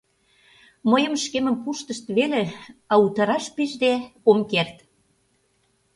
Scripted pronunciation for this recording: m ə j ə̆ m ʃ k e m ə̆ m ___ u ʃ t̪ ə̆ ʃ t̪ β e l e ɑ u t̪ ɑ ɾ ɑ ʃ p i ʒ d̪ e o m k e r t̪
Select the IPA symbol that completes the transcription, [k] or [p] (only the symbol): p